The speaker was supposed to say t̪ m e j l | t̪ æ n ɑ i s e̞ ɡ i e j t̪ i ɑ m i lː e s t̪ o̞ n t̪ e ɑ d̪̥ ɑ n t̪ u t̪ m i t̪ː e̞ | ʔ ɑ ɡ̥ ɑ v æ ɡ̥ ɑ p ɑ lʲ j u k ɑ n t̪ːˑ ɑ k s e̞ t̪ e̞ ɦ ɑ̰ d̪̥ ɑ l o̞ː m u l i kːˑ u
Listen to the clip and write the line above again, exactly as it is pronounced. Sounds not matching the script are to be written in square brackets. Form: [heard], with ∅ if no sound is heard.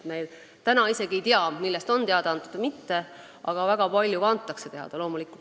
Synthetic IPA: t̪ m e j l | t̪ æ n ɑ i s e̞ ɡ i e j t̪ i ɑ m i lː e s t̪ o̞ n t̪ e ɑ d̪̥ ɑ n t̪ u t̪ m i t̪ː e̞ | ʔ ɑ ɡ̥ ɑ v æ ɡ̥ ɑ p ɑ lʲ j u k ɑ n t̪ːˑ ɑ k s e̞ t̪ e̞ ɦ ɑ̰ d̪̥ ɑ l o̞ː m u l i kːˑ u